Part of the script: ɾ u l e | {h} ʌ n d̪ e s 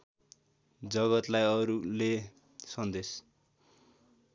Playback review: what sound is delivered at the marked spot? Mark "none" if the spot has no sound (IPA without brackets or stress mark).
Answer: s